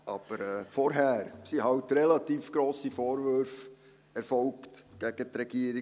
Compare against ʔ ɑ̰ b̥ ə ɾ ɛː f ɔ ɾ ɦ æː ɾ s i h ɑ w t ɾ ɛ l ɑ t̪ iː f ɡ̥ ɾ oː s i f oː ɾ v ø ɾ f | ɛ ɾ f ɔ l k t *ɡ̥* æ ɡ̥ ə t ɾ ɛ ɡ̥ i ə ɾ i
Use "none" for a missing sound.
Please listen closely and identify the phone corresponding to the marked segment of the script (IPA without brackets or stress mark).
ɡ̥